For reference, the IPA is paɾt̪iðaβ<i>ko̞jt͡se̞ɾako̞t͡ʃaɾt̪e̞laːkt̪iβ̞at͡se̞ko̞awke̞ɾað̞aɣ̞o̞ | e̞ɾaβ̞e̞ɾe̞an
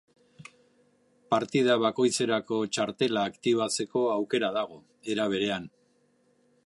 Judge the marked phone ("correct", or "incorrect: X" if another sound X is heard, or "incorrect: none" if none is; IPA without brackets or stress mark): incorrect: a